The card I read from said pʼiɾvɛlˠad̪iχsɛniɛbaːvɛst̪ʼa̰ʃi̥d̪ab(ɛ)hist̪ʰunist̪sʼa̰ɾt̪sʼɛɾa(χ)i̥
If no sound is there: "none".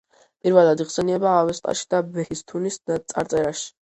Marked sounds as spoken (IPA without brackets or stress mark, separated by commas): ɛ, ʃ